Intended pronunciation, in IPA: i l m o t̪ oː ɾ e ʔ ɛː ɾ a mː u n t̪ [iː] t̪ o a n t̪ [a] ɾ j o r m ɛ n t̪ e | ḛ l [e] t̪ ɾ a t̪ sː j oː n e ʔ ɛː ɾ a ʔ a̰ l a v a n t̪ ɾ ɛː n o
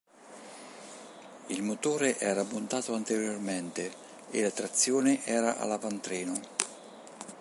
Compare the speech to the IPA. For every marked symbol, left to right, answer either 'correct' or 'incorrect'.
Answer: incorrect, incorrect, incorrect

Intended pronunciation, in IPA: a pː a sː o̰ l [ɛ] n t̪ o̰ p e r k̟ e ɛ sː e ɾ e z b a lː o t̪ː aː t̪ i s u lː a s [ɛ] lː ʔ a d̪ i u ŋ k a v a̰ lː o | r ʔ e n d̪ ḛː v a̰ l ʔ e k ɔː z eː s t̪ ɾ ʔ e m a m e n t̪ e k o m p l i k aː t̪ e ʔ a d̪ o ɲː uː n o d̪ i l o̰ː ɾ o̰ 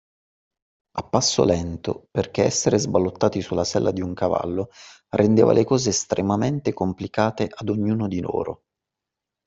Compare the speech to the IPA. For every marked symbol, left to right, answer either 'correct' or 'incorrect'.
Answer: correct, correct

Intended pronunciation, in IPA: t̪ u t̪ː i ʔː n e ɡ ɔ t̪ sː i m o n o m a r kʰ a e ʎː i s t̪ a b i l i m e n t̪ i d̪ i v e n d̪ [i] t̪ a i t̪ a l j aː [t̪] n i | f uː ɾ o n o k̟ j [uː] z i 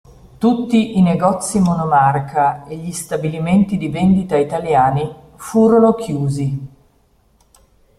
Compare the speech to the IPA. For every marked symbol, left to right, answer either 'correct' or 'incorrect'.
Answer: correct, incorrect, correct

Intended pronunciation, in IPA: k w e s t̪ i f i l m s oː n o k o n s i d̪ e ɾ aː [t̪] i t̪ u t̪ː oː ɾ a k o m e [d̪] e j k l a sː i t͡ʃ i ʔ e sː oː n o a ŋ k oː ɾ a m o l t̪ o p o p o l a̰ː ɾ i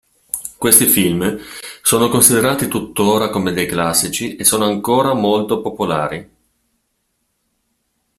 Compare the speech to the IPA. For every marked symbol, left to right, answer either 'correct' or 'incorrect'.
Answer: correct, correct

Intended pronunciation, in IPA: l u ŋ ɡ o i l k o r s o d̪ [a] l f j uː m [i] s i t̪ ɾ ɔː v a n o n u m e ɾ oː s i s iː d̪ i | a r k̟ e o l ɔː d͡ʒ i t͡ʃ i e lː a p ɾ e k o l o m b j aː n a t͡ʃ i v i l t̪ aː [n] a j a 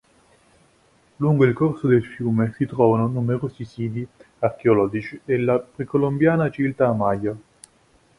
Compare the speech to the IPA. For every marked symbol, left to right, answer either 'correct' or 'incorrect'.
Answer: incorrect, incorrect, incorrect

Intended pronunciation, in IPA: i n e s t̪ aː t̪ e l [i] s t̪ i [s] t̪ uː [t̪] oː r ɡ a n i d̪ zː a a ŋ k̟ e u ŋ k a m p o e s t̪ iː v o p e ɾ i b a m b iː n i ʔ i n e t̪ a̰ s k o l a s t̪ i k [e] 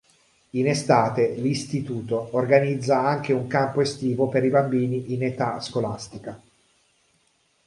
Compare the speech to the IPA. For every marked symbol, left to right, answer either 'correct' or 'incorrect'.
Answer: correct, incorrect, correct, incorrect

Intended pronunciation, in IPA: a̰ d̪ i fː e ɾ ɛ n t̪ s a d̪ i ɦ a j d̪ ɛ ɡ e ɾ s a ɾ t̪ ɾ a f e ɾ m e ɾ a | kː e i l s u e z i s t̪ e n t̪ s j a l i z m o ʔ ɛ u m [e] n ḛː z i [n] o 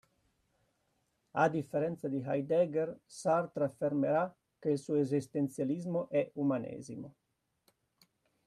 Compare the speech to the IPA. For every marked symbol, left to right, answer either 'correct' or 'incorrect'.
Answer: incorrect, incorrect

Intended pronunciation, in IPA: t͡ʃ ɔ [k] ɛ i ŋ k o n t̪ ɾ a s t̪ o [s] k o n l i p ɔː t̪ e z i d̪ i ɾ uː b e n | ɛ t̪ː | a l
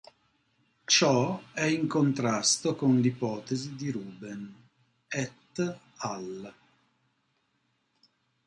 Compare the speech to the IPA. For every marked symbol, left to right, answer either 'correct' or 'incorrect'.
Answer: incorrect, incorrect

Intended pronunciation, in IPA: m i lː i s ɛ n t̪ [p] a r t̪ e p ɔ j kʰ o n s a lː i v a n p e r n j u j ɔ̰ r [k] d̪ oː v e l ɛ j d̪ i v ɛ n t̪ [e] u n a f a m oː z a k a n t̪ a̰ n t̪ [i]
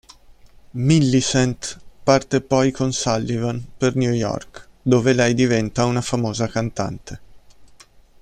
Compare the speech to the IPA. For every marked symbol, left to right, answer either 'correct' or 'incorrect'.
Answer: correct, correct, incorrect, incorrect

